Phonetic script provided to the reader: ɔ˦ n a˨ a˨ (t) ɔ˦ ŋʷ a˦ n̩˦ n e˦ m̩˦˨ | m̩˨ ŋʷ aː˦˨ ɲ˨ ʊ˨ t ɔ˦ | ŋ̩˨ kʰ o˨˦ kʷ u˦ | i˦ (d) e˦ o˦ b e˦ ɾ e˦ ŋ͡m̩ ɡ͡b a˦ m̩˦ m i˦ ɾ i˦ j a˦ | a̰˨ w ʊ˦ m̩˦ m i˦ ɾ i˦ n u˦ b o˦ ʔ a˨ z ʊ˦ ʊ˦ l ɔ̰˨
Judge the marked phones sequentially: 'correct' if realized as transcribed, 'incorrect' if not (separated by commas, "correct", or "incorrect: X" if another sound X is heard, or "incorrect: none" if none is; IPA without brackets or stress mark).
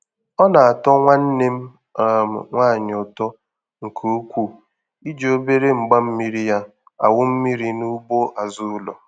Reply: correct, incorrect: d͡ʒ